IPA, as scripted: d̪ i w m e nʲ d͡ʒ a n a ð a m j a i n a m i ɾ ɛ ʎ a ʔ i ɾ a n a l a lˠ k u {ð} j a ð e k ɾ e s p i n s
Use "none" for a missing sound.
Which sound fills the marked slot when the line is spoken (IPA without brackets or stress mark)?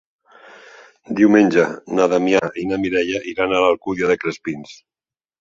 ð